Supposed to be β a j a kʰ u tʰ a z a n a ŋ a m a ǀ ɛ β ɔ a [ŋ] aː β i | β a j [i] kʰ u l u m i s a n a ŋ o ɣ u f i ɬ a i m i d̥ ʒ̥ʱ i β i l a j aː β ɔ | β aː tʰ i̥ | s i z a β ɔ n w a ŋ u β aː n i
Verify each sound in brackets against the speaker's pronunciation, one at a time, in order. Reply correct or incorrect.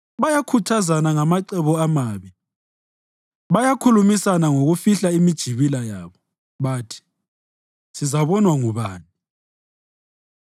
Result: incorrect, incorrect

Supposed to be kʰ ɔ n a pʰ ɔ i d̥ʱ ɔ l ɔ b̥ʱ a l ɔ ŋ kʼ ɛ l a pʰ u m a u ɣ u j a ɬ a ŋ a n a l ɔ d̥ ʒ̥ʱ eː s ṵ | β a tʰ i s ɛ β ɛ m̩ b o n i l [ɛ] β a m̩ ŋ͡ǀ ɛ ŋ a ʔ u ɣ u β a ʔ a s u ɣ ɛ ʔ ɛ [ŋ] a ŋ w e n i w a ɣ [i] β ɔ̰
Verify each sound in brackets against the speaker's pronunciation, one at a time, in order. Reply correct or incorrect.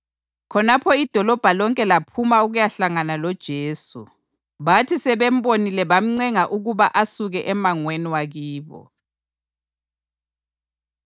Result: correct, incorrect, incorrect

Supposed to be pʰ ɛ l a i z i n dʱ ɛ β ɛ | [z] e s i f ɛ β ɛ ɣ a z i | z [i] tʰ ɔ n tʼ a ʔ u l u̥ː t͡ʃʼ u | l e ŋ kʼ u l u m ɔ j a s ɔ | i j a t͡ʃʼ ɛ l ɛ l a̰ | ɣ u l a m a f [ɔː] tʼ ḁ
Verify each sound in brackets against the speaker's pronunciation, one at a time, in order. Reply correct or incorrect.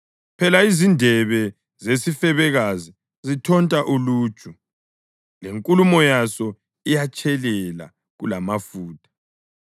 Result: correct, correct, incorrect

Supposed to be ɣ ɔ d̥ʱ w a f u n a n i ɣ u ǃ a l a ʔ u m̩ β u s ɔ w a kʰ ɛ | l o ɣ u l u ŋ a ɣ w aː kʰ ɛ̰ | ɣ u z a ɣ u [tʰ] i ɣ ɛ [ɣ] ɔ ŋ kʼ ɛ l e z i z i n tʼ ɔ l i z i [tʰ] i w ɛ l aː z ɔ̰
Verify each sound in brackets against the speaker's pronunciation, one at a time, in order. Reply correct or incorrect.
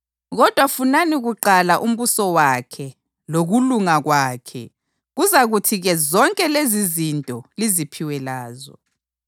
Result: correct, incorrect, incorrect

